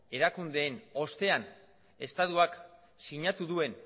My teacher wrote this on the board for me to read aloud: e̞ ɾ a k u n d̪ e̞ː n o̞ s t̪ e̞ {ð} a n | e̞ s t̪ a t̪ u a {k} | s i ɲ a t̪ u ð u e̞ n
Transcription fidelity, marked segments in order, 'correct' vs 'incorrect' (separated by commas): incorrect, correct